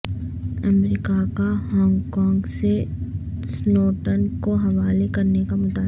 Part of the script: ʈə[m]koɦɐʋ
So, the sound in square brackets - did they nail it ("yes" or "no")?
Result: no